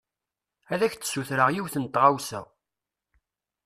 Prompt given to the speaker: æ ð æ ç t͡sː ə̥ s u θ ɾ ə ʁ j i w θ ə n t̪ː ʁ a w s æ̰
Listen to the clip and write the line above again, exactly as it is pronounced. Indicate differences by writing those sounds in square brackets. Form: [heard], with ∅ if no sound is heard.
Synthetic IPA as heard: æ ð æ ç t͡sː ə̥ s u θ ɾ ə ʁ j i w θ ə n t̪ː ʁ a w s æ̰